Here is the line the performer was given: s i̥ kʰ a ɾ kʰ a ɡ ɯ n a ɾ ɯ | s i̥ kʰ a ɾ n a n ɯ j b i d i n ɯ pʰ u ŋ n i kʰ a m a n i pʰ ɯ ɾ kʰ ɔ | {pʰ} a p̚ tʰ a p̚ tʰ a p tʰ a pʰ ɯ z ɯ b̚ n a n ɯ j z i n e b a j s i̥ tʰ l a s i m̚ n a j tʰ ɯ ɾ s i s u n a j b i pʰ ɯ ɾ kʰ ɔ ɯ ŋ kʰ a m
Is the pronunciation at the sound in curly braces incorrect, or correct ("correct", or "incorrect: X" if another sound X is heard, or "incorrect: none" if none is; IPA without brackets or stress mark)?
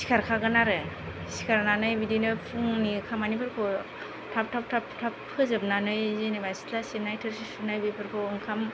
incorrect: tʰ